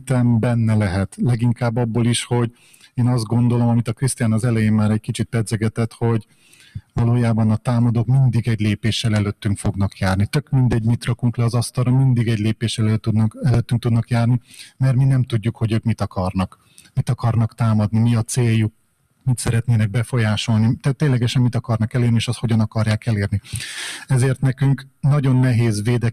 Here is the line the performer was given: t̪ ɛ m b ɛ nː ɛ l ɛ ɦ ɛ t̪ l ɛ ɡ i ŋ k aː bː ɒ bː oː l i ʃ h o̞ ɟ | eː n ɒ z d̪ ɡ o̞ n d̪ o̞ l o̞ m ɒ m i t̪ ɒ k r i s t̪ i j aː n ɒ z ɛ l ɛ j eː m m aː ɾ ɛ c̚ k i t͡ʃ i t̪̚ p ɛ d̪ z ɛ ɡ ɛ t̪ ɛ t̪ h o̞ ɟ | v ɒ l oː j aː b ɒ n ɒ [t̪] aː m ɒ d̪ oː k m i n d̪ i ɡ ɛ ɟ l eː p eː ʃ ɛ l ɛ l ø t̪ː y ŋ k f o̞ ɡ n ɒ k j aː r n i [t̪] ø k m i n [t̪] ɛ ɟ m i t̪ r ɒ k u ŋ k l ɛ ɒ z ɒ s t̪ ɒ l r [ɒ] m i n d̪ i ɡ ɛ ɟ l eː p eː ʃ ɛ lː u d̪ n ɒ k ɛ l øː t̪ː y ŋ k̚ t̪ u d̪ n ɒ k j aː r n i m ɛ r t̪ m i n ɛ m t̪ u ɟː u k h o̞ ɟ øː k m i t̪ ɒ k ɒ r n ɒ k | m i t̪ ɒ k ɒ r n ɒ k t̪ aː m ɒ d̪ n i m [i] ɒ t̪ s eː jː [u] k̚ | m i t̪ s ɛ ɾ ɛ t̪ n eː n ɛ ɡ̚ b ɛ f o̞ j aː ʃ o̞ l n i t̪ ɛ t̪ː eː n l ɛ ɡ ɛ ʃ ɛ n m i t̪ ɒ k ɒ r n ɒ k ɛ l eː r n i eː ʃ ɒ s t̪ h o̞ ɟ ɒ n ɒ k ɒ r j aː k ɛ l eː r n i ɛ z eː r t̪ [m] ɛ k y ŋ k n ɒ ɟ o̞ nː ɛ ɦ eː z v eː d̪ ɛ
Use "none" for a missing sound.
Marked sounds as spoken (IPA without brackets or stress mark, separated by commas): t̪, t̪, d̪, ɒ, i, u, n